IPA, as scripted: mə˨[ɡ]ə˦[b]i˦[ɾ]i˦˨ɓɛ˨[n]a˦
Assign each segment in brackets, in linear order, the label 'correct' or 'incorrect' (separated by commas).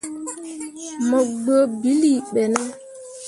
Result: incorrect, correct, incorrect, correct